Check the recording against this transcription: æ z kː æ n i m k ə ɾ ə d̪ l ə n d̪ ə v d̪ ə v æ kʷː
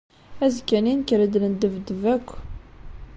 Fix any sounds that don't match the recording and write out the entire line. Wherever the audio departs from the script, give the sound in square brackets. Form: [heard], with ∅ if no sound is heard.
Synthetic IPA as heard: æ z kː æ n i [n] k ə ɾ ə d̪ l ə n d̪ ə v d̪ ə v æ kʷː